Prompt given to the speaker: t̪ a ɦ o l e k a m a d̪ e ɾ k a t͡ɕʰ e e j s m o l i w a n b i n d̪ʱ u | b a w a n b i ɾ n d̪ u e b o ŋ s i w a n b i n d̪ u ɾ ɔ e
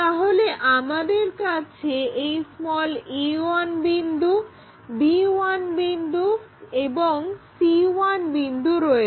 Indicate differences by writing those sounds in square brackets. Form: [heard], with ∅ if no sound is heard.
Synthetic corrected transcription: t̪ a ɦ o l e [ʔ] a m a d̪ e ɾ k a t͡ɕʰ e e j s m [ɔ] l i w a n b i n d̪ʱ u | b [i] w a n b i [∅] n d̪ u e b o ŋ s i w a n b i n d̪ u ɾ ɔ e